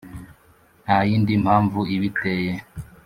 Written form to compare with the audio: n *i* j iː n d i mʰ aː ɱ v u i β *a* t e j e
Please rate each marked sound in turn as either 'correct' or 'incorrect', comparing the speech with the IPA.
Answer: incorrect, incorrect

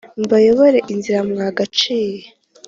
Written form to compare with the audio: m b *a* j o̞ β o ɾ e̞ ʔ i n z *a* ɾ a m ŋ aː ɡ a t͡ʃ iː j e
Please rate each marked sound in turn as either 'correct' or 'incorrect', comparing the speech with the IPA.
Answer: correct, incorrect

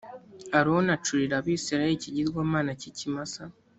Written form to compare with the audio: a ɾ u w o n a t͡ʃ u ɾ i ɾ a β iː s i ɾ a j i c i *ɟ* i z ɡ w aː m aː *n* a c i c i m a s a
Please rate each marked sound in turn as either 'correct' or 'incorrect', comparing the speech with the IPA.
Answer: correct, correct

